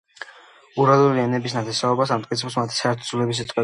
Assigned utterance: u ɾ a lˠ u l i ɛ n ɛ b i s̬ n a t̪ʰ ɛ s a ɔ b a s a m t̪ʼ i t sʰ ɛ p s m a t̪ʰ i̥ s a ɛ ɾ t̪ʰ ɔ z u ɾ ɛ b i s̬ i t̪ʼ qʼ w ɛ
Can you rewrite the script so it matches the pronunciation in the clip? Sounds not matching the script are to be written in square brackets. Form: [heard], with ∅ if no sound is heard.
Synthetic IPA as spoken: u ɾ a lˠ u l i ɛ n ɛ b i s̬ n a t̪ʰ ɛ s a ɔ b a s a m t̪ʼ i t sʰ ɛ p s m a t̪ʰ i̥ s a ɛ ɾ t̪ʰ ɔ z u [l] ɛ b i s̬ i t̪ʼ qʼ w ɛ